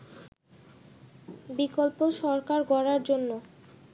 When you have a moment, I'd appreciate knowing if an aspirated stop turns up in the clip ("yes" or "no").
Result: no